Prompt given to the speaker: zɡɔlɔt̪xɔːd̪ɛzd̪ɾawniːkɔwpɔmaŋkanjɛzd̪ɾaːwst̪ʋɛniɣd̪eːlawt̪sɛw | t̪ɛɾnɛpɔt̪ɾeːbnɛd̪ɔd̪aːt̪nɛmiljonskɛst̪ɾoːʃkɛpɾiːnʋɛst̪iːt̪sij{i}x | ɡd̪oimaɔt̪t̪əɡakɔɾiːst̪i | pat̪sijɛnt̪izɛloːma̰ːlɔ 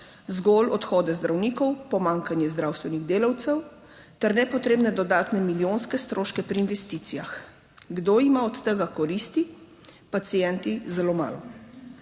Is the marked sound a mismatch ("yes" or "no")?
yes